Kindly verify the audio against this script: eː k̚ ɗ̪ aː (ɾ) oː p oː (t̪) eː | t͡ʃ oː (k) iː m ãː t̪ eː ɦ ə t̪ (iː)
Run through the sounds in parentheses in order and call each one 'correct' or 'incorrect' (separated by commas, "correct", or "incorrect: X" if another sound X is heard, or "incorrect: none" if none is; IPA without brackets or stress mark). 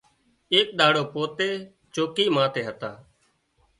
incorrect: ɽ, correct, correct, incorrect: aː